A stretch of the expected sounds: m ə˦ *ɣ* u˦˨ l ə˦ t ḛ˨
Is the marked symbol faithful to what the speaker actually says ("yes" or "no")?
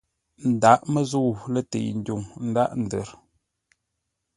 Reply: no